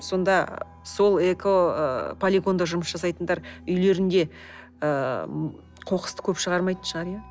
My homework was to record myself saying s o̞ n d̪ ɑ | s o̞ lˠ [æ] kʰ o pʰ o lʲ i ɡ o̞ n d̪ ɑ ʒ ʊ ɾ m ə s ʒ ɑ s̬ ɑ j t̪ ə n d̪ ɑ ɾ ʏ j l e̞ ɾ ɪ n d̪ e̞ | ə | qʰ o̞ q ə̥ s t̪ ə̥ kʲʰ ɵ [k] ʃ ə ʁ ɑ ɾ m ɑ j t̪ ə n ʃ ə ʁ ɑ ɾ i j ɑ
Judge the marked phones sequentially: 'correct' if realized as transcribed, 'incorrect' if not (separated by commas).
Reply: incorrect, incorrect